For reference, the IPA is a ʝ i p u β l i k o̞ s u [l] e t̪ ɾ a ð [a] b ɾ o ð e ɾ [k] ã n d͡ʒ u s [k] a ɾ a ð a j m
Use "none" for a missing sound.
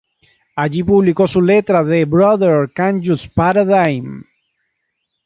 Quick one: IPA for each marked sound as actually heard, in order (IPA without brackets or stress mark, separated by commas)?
l, e, k, p